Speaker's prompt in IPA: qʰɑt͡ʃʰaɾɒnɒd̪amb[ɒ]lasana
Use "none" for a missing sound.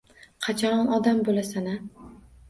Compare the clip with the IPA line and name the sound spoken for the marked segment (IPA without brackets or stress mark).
o